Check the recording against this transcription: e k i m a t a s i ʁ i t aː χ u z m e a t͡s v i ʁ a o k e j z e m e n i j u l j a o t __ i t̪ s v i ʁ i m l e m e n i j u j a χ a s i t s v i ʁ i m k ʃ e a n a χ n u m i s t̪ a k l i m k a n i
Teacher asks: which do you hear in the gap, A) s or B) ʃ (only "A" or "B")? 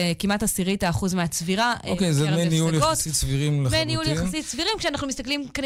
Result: A